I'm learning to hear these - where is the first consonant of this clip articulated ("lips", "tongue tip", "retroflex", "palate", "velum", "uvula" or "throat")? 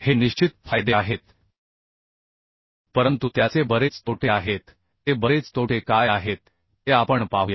throat